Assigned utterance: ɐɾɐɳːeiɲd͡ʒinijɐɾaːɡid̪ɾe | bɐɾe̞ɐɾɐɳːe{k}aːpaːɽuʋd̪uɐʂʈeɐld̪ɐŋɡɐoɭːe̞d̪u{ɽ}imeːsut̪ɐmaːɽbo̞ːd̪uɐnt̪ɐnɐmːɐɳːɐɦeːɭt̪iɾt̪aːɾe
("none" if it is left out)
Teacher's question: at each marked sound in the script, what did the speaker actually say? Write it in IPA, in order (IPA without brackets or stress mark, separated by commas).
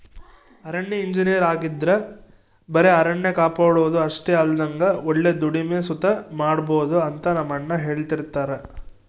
k, ɽ